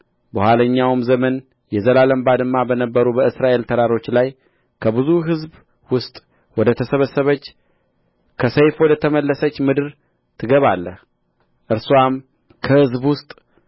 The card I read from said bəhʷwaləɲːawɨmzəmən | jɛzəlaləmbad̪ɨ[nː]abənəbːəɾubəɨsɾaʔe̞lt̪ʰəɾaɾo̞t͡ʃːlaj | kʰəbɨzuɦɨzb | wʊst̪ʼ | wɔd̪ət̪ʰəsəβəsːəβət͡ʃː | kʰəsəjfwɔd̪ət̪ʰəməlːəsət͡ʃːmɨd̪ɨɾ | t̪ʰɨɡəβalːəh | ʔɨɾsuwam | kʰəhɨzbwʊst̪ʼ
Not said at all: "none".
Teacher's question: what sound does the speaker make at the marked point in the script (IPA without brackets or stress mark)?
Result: mː